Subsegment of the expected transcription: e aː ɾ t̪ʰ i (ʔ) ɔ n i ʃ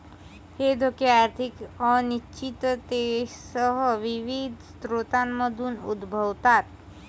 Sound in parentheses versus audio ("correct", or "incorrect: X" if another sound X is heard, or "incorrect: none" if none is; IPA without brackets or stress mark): incorrect: k